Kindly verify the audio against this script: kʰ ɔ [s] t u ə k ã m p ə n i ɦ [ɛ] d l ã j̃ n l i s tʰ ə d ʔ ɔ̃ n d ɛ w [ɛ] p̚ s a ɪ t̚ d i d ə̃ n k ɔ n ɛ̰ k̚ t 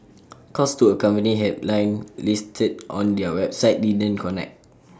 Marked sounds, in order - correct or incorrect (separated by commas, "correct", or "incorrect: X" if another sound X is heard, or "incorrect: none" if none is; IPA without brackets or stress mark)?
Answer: correct, correct, correct